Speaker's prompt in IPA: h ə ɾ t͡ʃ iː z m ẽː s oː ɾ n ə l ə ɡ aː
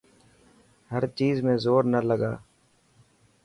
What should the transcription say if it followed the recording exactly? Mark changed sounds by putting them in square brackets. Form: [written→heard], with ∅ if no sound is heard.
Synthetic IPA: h ə ɾ t͡ʃ iː z m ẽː [s→z] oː ɾ n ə l ə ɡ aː